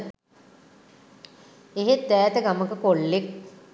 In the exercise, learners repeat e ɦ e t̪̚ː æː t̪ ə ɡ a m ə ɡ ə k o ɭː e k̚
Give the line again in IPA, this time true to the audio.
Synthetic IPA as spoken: e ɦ e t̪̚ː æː t̪ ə ɡ a m ə k ə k o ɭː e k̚